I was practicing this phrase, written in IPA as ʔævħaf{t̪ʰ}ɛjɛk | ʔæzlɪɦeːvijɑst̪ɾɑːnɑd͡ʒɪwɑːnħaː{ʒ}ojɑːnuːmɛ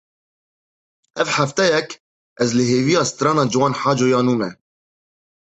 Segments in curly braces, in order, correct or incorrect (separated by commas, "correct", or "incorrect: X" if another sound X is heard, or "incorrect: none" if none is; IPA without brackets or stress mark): incorrect: t̪, incorrect: d͡ʒ